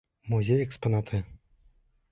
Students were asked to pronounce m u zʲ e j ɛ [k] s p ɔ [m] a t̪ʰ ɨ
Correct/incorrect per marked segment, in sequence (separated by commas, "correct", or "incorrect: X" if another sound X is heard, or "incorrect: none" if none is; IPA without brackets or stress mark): correct, incorrect: n